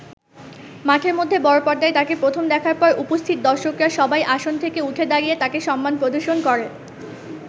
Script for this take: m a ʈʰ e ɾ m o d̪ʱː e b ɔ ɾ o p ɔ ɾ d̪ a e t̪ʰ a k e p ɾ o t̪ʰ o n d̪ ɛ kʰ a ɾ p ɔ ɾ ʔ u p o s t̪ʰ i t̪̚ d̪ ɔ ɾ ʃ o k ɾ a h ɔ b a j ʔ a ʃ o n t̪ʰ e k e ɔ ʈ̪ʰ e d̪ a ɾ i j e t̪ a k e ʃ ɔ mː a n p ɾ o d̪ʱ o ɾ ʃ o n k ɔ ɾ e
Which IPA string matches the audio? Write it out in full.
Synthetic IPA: m a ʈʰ e ɾ m o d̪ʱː e b ɔ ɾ o p ɔ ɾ d̪ a e t̪ a k e p ɾ o t̪ʰ o m d̪ ɛ kʰ a ɾ p ɔ ɾ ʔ u p o s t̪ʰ i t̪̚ d̪ ɔ ɾ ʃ o k ɾ a ʃ ɔ b a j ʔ a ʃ o n t̪ʰ e k e u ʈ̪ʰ e d̪ a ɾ i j e t̪ a k e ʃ ɔ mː a n p ɾ o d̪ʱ o ɾ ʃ o n k ɔ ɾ e